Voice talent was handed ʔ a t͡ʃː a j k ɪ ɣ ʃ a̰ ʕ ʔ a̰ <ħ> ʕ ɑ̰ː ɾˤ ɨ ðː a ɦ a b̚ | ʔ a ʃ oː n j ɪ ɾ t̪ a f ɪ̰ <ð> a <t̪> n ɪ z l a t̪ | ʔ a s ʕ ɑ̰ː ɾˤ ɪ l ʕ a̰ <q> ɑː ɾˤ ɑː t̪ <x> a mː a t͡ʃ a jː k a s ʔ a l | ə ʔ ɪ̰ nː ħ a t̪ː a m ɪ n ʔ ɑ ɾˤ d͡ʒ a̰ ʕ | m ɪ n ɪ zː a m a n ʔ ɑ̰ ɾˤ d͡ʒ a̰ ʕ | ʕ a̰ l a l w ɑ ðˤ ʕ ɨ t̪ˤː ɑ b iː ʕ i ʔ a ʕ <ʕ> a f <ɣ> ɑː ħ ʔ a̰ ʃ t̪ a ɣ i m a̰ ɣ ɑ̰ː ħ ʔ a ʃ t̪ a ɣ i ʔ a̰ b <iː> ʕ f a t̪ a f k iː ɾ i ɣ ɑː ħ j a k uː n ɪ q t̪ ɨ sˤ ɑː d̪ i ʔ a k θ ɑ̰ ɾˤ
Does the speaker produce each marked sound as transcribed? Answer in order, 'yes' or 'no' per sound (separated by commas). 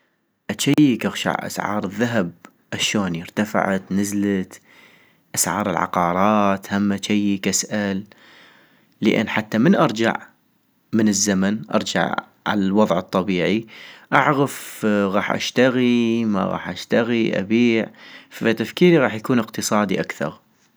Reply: no, no, yes, yes, no, no, yes, yes